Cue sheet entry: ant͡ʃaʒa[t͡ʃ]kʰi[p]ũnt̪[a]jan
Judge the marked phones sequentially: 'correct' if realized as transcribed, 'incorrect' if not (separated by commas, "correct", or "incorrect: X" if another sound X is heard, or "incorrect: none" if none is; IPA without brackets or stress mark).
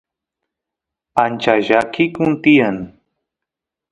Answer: incorrect: none, incorrect: k, incorrect: i